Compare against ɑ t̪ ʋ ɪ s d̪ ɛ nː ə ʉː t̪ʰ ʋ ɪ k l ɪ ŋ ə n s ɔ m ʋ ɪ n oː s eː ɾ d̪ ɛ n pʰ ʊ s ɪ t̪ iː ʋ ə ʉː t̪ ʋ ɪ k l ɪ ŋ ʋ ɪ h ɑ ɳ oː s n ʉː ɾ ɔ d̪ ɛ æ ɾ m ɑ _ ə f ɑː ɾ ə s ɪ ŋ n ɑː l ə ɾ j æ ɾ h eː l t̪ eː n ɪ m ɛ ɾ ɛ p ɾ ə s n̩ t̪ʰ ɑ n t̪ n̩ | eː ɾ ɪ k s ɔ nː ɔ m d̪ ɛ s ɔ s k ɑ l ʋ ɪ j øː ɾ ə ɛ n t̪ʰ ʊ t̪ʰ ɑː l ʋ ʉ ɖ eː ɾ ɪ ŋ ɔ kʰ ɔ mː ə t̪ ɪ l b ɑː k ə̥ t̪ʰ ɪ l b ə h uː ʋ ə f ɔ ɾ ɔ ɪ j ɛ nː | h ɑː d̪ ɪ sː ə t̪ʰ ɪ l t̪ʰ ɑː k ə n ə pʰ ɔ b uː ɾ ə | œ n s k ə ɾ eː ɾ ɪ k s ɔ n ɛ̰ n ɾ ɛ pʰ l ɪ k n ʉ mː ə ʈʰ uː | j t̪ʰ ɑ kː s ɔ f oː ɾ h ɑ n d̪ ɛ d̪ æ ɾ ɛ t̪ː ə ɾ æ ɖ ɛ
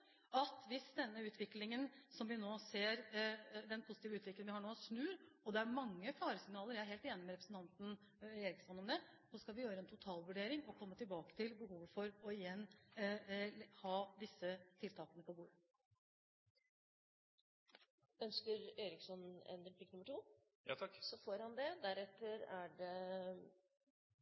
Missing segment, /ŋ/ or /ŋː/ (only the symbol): ŋː